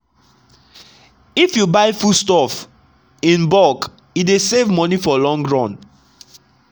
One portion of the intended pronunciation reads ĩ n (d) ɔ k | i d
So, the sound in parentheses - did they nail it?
no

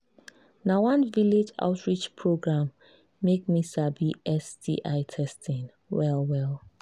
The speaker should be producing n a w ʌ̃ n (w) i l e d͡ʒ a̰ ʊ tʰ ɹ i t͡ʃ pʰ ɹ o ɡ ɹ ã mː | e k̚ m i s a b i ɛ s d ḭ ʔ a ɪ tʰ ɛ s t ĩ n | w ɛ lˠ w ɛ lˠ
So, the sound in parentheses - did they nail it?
no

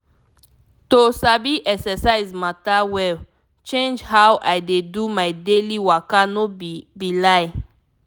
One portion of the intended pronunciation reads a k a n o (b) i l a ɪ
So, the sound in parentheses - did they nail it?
yes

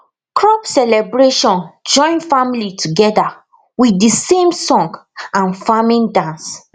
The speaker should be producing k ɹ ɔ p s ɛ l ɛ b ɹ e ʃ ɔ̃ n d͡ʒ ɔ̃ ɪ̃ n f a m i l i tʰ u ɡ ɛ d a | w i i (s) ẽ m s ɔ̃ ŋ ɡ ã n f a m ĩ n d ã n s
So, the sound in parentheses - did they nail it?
yes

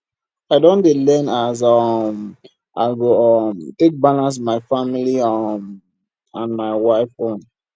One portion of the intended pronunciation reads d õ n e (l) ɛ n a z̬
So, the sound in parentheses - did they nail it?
yes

